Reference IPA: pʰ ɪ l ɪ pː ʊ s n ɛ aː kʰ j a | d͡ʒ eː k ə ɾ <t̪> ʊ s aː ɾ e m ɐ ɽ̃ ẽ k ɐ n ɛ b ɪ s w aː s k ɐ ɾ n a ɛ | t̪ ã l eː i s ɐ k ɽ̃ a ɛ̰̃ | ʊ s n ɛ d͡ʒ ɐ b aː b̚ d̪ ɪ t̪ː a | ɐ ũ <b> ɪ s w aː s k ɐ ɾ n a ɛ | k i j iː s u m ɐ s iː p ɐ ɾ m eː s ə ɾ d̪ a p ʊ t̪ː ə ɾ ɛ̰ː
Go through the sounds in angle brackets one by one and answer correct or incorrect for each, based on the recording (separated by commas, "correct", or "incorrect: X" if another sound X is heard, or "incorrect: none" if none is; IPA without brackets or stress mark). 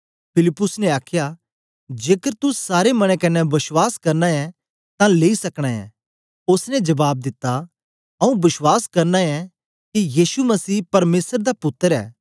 correct, correct